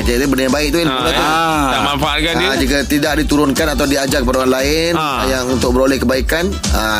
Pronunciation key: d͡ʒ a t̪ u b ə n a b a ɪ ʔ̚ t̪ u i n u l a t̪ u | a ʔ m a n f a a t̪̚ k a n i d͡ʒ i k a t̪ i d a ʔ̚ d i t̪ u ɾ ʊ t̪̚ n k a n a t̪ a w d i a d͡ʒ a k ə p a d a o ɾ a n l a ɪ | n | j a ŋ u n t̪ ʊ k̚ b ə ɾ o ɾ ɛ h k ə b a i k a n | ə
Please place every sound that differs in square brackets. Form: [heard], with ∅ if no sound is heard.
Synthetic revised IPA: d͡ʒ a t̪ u b ə n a b a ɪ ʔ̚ t̪ u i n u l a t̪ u | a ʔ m a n f a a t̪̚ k a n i d͡ʒ i k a t̪ i d a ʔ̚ d i t̪ u ɾ ʊ [∅] n k a n a t̪ a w d i a d͡ʒ a k ə p a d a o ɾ a n l a ɪ | n | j a ŋ u n t̪ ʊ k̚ b ə ɾ o [l] ɛ h k ə b a i k a n | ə